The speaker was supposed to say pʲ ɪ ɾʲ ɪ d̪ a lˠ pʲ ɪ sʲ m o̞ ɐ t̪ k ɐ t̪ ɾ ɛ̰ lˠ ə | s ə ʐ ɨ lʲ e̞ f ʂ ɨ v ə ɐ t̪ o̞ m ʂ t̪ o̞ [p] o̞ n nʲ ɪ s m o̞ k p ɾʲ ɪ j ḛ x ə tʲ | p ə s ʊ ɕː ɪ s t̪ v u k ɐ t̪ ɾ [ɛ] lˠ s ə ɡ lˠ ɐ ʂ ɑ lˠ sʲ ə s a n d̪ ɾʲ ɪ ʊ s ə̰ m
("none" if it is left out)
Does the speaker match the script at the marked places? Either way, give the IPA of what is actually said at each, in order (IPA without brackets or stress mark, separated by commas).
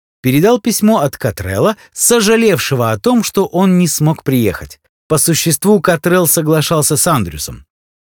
ʔ, ɛ